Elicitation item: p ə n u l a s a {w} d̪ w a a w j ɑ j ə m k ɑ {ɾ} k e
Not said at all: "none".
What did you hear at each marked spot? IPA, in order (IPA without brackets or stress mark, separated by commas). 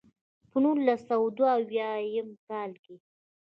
w, l